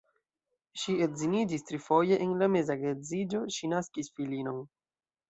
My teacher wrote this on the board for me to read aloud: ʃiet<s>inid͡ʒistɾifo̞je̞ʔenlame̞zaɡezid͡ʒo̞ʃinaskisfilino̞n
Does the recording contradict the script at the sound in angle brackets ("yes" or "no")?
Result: yes